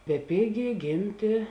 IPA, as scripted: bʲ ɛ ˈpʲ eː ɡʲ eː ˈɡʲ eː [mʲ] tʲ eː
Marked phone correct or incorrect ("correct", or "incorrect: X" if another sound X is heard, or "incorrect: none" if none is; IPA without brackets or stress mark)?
correct